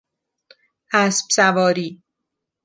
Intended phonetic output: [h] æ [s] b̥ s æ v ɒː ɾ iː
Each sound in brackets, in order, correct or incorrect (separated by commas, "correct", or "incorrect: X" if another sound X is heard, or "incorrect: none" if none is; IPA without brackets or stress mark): correct, correct